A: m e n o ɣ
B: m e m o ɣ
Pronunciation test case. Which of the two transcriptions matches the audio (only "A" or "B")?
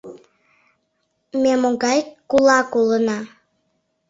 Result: B